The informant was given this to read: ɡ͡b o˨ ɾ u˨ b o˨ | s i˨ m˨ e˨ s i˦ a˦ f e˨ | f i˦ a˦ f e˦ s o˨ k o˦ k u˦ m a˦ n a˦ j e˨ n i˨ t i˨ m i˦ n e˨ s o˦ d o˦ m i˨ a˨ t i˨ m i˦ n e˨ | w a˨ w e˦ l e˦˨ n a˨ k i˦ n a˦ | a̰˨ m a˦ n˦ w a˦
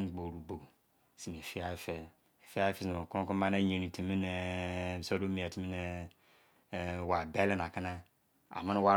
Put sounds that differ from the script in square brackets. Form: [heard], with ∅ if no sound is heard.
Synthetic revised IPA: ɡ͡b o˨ ɾ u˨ b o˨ | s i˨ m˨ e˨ [f] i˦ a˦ f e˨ | f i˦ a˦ f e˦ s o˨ k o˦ k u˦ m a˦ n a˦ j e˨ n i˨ t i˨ m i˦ n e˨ s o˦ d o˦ m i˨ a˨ t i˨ m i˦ n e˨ | w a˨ [b] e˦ l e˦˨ n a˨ k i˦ n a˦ | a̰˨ m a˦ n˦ w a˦